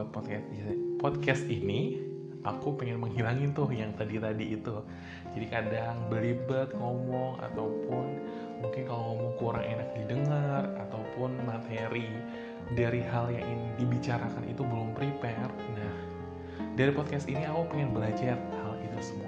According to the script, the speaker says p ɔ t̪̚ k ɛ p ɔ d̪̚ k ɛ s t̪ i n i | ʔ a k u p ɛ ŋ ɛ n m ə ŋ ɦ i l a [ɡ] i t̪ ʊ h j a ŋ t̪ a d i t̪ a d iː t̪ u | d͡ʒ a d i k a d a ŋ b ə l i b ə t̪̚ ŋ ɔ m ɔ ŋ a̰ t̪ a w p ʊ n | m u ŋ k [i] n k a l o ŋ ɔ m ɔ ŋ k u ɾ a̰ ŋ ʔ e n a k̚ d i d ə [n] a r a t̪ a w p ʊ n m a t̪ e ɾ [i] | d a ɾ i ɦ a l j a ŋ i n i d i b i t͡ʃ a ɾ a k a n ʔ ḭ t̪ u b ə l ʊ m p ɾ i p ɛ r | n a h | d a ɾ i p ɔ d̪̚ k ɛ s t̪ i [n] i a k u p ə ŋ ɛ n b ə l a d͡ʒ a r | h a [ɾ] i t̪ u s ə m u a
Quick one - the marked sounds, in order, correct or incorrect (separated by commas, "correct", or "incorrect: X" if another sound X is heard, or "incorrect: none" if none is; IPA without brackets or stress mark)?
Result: incorrect: ŋ, incorrect: ɪ, incorrect: ŋ, correct, correct, incorrect: l